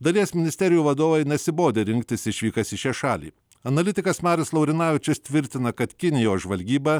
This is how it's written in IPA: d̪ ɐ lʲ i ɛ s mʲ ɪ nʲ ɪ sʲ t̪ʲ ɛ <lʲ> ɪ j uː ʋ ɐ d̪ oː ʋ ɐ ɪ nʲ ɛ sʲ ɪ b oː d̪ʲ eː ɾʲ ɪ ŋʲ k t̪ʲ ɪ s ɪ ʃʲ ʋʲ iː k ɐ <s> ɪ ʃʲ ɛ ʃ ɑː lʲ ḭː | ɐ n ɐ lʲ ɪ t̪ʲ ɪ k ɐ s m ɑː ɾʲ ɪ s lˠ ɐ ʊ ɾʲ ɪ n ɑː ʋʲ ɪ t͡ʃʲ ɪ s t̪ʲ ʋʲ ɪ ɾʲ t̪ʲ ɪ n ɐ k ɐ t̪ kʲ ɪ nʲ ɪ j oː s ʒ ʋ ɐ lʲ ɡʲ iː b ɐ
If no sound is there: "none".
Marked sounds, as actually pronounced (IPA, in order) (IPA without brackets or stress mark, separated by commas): ɾʲ, s